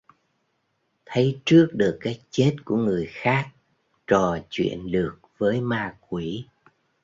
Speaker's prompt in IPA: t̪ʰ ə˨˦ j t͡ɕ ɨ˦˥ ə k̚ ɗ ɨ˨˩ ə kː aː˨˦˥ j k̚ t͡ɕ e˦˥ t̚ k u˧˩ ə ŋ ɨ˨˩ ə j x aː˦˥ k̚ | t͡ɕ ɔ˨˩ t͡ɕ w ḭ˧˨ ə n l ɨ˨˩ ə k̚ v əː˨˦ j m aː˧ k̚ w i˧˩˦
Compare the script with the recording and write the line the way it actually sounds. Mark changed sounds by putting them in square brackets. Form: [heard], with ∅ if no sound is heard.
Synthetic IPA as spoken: t̪ʰ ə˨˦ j t͡ɕ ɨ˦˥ ə k̚ ɗ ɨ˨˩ ə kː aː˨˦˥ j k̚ t͡ɕ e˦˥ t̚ k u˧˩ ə ŋ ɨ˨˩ ə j x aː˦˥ k̚ | t͡ɕ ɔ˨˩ t͡ɕ w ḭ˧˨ ə n l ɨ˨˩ ə k̚ v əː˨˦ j m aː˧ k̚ w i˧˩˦